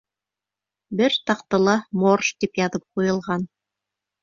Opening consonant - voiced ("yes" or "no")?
yes